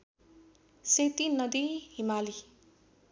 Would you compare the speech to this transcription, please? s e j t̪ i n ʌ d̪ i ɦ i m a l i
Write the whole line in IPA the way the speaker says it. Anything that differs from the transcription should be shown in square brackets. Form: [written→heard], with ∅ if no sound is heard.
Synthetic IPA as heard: s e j t̪ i n ʌ d̪ i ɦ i m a l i